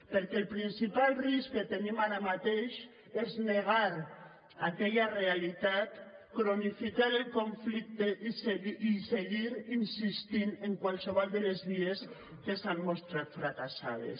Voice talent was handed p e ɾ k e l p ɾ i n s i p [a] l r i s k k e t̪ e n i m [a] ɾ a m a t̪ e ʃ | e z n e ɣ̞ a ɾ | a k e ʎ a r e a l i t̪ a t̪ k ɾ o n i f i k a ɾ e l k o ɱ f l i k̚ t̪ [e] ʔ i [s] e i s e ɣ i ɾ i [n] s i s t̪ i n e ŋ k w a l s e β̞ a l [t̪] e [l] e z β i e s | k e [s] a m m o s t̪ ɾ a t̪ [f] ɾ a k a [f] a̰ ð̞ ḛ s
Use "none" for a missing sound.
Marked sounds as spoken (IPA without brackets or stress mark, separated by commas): a, a, e, s, n, d̪, l, s, f, s